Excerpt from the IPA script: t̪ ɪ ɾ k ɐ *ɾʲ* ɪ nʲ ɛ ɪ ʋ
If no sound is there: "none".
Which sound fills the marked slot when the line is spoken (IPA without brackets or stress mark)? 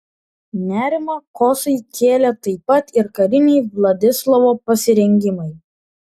ɾʲ